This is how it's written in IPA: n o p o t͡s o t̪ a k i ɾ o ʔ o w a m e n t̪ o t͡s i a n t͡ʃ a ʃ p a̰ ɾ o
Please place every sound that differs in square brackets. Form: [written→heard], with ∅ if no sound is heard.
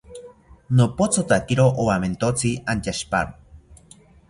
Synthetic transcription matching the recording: n o p o t͡s o t̪ a k i ɾ o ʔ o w a m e n t̪ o t͡s i a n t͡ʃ a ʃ p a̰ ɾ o

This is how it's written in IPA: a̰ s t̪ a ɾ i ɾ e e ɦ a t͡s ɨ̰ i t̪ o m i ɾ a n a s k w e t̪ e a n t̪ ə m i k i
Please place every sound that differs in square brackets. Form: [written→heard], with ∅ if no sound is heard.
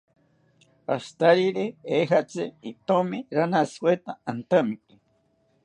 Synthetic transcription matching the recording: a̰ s t̪ a ɾ i ɾ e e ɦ a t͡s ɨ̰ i t̪ o m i ɾ a n a s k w e t̪ [e→a] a n t̪ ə m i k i

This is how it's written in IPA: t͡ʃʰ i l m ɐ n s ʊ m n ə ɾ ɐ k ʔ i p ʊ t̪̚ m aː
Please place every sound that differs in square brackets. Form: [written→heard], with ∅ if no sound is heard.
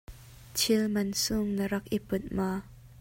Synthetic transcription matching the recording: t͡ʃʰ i l m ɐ n s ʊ [m→ŋ] n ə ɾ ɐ k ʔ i p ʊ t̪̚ m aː

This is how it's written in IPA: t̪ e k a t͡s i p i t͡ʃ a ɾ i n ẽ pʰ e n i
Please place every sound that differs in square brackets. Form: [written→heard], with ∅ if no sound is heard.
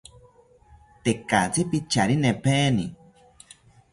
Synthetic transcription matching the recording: t̪ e k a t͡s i p i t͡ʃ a ɾ i n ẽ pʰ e n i

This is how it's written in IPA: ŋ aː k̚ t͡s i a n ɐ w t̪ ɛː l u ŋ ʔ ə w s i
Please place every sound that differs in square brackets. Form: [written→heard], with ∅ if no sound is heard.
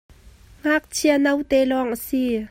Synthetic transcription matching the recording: ŋ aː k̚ [t͡s→t͡sʰ] i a n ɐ w t̪ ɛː l [u→ɔ] ŋ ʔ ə [w→∅] s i

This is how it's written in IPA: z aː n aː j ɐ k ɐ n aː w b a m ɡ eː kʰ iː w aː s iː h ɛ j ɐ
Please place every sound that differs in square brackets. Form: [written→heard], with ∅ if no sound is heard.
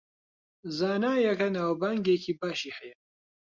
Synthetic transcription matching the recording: z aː n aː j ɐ k ɐ n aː w b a [m→ŋ] ɡ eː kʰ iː [w→b] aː [s→ʃ] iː h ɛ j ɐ

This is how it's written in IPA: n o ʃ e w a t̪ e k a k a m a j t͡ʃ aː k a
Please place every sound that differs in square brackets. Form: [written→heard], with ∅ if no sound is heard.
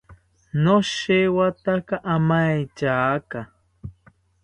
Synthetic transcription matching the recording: n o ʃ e w a t̪ [e→a] k a [k→ʔ] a m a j t͡ʃ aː k a

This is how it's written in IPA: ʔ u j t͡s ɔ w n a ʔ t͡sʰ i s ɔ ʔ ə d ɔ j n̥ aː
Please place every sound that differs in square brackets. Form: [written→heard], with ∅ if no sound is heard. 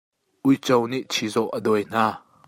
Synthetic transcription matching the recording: ʔ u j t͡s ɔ w n [a→i] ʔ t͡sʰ i [s→z] ɔ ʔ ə d ɔ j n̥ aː

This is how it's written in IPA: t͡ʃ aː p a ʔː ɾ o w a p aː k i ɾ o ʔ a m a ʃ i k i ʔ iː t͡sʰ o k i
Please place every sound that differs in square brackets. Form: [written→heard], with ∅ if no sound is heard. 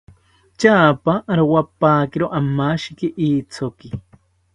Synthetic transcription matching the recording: t͡ʃ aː p a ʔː ɾ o w a p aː k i ɾ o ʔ a m a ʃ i k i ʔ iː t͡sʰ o k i

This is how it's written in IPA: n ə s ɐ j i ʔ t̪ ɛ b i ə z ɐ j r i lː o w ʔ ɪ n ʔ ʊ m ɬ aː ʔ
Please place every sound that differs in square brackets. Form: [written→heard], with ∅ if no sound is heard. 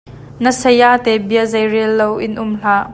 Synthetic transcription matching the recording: n ə s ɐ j [i→a] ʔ t̪ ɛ b i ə z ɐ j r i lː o w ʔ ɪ n ʔ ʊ m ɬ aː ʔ

